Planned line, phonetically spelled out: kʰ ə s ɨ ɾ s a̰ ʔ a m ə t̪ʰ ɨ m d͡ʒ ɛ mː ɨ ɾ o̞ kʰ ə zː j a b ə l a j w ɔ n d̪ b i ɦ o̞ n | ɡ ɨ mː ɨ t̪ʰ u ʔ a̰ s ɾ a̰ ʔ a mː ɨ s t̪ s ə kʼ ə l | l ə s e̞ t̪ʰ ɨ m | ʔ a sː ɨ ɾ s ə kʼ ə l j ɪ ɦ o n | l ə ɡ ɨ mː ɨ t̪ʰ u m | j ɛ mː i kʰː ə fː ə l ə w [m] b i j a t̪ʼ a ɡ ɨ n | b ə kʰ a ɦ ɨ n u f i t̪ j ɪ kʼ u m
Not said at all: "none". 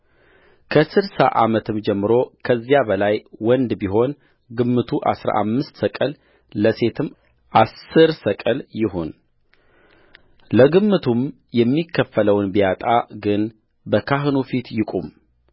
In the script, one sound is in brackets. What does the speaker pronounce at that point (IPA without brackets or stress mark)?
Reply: n